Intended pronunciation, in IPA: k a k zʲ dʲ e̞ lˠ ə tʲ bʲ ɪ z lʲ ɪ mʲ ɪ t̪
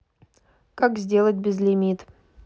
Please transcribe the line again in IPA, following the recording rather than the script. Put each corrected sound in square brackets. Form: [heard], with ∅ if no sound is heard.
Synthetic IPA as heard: k a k zʲ dʲ e̞ lˠ ə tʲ bʲ ɪ z lʲ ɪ mʲ [i] t̪